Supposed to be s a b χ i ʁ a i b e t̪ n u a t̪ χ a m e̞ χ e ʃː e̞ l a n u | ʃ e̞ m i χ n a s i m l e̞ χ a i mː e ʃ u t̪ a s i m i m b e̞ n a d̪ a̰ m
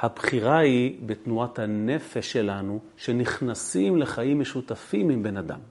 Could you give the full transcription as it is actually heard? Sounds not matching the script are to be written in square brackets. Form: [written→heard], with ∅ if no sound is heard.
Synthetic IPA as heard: [s→h] a b χ i ʁ a i b e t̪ n u a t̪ [χ→h] a [m→n] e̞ [χ→f] e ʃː e̞ l a n u | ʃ e̞ [m→n] i χ n a s i m l e̞ χ a i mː e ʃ u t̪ a [s→f] i m i m b e̞ n a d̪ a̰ m